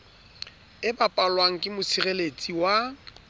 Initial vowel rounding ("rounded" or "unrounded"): unrounded